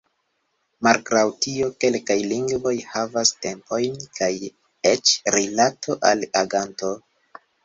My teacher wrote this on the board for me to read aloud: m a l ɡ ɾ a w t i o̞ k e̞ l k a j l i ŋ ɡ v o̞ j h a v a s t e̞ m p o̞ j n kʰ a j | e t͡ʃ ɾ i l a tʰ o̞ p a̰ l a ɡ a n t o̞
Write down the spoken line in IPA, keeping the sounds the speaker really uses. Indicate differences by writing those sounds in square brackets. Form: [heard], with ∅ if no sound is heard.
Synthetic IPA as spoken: m a l ɡ ɾ a w t i o̞ k e̞ l k a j l i ŋ ɡ v o̞ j h a v a s t e̞ m p o̞ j n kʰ a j | e t͡ʃ ɾ i l a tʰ o̞ [ʔ] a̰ l a ɡ a n t o̞